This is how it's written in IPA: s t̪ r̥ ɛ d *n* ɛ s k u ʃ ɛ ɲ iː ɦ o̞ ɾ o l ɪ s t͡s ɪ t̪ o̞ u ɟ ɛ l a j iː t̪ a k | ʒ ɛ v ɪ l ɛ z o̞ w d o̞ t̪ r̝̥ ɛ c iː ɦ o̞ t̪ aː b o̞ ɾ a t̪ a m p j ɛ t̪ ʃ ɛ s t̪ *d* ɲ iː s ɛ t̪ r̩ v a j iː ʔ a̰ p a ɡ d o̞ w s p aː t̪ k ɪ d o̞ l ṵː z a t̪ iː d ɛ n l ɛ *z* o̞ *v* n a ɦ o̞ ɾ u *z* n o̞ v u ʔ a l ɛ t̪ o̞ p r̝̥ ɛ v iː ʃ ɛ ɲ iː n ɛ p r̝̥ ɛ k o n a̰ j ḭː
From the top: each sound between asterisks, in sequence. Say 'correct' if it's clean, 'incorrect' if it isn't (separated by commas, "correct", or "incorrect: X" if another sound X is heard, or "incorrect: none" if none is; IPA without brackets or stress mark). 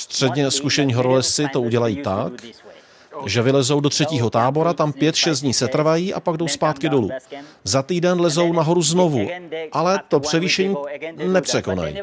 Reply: incorrect: ɲ, correct, correct, incorrect: w, correct